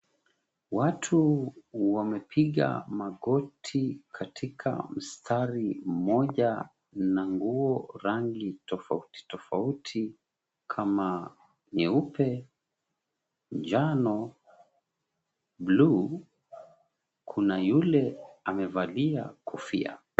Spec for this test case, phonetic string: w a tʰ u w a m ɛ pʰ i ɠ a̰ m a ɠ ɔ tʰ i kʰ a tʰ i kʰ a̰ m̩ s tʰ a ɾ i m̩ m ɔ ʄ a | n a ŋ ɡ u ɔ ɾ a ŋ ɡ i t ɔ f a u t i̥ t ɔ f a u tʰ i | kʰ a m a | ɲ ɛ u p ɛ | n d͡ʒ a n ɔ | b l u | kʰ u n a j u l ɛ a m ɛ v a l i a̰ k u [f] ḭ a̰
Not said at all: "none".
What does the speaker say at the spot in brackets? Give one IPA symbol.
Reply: f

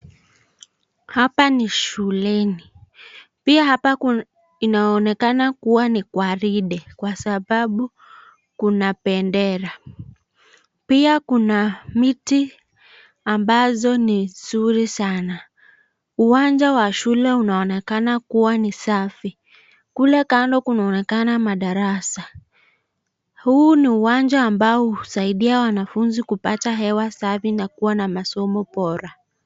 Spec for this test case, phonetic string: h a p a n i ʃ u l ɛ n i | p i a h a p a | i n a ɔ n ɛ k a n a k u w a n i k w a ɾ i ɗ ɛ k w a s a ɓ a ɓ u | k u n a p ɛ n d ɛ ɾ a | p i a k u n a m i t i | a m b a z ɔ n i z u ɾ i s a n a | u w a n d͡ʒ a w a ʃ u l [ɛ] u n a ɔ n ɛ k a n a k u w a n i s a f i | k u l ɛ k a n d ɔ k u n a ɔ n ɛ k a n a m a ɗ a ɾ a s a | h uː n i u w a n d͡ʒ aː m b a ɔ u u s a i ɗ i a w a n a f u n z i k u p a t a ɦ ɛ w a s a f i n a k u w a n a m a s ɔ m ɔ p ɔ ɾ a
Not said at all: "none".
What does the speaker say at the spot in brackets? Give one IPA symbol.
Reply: ɛ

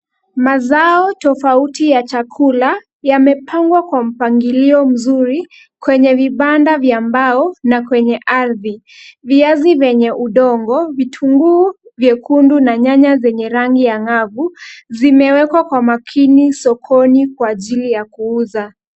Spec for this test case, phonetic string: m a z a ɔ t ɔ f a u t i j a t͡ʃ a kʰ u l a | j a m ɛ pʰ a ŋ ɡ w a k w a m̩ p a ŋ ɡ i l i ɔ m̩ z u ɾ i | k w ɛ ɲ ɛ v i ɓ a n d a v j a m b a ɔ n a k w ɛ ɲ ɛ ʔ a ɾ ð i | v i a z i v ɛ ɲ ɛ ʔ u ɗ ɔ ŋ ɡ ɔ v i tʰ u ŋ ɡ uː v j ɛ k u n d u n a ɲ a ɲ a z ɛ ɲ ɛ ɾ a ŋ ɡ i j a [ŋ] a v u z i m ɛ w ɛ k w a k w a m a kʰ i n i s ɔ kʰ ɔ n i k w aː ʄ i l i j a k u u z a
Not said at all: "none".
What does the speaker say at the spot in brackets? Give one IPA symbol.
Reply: ŋ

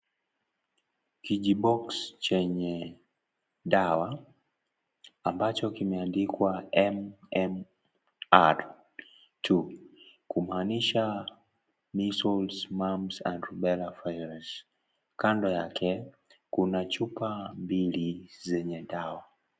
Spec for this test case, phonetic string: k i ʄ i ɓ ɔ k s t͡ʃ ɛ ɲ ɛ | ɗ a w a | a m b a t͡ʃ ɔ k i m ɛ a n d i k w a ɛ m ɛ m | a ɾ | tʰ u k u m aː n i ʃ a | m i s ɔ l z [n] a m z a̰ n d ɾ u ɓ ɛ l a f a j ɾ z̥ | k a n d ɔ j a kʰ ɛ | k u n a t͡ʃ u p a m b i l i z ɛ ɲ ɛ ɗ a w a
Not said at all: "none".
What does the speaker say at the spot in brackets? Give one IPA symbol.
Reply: m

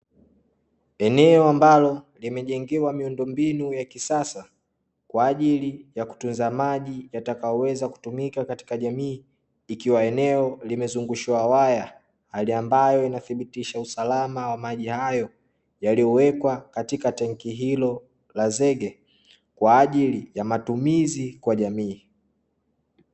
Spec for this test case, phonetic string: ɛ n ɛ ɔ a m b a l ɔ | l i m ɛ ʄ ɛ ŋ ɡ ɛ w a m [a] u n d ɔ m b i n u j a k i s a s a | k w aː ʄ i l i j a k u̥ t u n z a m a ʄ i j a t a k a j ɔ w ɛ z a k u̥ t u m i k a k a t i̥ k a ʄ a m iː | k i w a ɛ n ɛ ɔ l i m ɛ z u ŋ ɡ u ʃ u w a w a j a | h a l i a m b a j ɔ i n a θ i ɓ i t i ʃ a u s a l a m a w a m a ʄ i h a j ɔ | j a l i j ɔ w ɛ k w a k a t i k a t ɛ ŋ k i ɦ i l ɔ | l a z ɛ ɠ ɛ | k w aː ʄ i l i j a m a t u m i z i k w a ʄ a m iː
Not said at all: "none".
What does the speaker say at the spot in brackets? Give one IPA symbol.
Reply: i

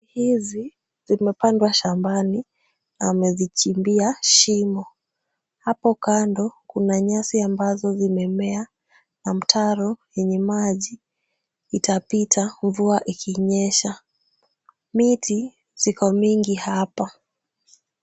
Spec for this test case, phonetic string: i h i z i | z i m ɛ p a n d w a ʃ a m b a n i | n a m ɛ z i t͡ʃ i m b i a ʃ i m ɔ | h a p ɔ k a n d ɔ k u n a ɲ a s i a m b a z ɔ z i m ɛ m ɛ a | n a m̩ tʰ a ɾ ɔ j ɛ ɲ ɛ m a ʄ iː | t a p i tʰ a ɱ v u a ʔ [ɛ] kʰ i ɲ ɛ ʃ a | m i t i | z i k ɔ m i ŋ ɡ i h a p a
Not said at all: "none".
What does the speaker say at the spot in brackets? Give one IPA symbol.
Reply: i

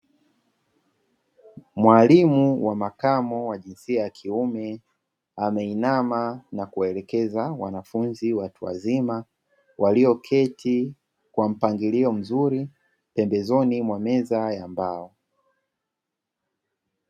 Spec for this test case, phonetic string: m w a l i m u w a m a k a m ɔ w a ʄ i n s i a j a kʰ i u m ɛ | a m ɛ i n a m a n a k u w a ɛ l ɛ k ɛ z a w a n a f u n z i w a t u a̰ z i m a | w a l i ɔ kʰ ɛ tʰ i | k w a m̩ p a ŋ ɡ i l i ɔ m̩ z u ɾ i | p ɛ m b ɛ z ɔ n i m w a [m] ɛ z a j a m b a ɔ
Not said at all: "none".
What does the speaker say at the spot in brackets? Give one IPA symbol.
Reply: m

